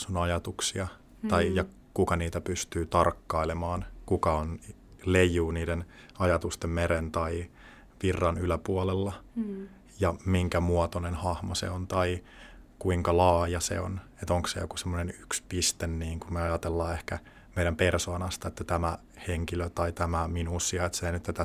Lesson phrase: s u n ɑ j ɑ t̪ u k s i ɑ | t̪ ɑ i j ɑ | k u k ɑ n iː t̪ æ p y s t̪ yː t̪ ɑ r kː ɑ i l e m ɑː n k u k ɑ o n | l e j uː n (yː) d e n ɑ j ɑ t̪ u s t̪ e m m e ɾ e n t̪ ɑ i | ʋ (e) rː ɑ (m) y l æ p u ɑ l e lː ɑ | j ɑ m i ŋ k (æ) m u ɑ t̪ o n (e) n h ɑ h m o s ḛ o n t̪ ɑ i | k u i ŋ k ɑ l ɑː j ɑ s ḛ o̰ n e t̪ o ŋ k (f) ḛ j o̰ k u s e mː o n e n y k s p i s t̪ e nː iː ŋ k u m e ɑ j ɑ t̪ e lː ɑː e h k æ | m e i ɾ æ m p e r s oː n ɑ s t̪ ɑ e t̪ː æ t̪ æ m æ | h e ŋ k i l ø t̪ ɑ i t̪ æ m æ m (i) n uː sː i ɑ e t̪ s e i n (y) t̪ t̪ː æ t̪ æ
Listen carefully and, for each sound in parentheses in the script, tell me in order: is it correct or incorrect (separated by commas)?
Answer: incorrect, incorrect, incorrect, correct, correct, incorrect, correct, correct